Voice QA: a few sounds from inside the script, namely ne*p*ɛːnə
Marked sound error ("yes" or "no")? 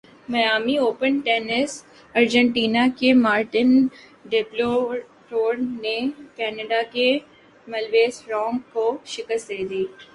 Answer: yes